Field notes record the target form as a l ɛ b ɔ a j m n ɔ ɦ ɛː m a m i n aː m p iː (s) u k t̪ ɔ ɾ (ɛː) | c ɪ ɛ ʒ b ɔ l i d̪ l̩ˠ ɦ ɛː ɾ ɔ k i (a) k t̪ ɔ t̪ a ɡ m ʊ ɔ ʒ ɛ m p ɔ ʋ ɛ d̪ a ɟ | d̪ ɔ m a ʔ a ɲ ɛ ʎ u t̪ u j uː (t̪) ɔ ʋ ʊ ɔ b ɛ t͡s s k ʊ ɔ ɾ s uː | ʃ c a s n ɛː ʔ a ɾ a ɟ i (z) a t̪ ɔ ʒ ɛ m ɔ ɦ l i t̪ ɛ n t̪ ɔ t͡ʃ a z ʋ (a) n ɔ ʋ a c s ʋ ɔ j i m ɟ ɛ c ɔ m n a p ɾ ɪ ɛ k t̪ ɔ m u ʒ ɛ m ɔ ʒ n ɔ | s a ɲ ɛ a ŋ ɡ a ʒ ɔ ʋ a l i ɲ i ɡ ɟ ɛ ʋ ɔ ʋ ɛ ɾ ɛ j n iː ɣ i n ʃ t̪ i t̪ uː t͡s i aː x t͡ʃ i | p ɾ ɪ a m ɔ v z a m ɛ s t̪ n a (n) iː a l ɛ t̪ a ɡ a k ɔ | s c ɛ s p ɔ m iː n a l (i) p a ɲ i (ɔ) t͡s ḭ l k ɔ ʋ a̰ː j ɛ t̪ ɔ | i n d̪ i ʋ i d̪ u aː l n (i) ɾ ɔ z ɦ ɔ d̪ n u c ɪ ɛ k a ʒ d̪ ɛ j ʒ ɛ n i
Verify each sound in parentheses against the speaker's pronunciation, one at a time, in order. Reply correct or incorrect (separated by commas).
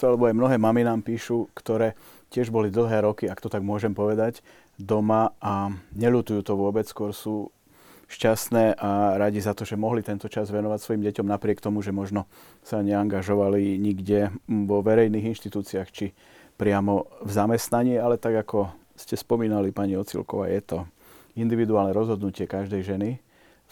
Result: incorrect, correct, correct, correct, correct, incorrect, incorrect, correct, correct, incorrect